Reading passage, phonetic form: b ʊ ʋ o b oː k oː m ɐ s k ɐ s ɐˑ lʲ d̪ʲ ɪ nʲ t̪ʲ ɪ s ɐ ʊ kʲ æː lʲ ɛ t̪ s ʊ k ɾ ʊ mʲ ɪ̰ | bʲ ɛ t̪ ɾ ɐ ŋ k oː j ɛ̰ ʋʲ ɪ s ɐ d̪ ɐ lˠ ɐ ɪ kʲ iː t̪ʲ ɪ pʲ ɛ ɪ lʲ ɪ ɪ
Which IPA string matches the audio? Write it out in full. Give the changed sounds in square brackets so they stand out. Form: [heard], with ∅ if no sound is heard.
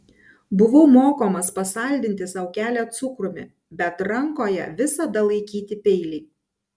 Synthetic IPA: b ʊ ʋ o [m] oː k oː m ɐ s [p] ɐ s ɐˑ lʲ d̪ʲ ɪ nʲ t̪ʲ ɪ s ɐ ʊ kʲ æː lʲ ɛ t̪ s ʊ k ɾ ʊ mʲ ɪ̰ | bʲ ɛ t̪ ɾ ɐ ŋ k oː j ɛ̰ ʋʲ ɪ s ɐ d̪ ɐ lˠ ɐ ɪ kʲ iː t̪ʲ ɪ pʲ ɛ ɪ lʲ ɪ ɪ